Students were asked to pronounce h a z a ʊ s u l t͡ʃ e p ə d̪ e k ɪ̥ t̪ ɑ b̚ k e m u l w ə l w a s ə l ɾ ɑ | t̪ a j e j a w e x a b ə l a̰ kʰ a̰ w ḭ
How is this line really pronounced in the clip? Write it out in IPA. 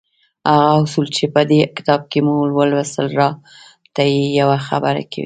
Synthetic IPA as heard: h a ɣ a ʊ s u l t͡ʃ e p ə d̪ e k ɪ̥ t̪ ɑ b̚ k e m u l w ə l w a s ə l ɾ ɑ | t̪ a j e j a w a x a b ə ɾ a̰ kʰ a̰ w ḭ